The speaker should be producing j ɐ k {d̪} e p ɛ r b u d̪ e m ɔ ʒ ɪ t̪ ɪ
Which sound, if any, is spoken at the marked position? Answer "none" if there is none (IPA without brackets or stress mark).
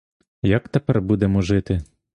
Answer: t̪